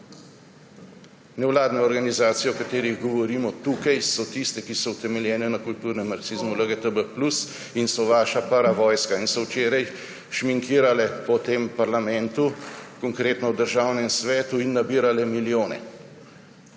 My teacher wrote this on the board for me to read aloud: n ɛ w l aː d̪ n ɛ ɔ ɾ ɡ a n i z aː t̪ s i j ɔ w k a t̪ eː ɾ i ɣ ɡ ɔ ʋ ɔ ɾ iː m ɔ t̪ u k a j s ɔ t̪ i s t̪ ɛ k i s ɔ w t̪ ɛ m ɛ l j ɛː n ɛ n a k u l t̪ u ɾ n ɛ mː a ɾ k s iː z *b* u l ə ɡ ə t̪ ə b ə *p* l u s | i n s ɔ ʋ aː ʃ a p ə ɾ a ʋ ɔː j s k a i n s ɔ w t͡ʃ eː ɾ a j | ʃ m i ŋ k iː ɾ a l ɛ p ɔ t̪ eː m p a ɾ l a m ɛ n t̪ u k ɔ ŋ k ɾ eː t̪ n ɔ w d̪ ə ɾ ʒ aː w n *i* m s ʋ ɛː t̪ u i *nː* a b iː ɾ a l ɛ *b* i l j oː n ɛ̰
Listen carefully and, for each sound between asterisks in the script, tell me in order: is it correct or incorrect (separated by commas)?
incorrect, correct, incorrect, correct, incorrect